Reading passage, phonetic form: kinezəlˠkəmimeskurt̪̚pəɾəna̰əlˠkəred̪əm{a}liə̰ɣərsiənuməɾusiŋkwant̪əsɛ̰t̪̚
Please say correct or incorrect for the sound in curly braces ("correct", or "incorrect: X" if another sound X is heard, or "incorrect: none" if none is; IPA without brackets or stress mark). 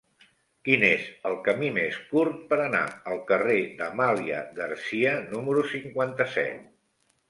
correct